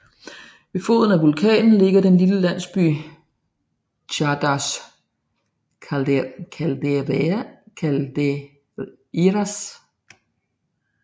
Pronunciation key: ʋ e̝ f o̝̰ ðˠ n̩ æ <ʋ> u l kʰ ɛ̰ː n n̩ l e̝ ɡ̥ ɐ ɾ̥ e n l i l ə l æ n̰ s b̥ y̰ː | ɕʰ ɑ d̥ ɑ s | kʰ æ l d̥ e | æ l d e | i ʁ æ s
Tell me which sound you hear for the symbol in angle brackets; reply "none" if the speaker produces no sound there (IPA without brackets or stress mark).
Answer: ʋ